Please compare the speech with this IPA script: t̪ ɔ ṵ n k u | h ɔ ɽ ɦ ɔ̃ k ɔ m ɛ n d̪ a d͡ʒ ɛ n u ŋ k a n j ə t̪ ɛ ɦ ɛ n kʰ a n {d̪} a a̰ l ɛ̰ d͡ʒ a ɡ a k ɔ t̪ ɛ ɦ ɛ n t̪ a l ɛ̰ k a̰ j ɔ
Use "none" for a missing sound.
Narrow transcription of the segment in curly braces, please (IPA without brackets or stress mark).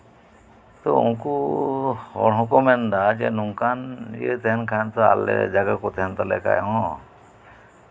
t̪